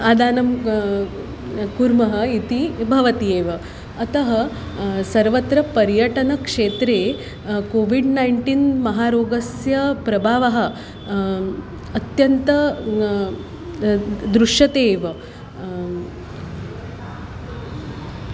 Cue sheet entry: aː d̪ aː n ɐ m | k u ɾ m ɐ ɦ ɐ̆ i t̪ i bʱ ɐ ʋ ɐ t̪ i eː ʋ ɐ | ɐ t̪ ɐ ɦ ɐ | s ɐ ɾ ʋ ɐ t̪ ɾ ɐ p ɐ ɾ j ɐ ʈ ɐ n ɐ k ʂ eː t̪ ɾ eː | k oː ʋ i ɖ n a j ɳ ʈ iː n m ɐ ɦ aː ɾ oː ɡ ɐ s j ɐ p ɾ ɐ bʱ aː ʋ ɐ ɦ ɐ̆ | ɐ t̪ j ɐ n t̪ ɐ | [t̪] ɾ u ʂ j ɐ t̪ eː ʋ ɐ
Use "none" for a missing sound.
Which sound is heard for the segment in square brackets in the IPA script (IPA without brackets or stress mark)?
d̪